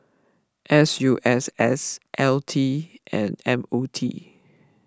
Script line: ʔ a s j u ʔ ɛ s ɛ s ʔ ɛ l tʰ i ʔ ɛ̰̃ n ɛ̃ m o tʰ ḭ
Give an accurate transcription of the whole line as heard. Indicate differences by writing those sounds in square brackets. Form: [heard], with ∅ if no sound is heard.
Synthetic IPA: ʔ [ɛ] s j u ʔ ɛ s ɛ s ʔ ɛ l tʰ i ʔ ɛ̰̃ n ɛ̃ m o tʰ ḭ